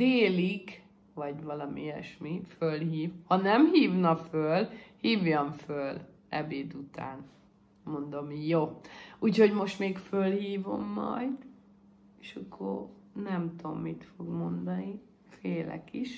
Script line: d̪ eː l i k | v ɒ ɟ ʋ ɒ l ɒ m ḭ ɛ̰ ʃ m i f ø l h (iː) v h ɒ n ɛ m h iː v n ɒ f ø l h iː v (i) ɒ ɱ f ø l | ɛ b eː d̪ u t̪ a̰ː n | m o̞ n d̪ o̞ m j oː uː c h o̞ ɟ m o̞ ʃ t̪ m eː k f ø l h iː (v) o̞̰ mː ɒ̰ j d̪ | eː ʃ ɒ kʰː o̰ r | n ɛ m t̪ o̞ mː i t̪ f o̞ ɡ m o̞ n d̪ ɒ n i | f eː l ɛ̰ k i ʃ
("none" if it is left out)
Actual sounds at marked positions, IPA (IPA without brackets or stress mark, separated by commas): iː, j, v